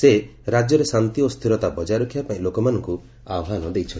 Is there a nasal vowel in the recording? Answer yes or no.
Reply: yes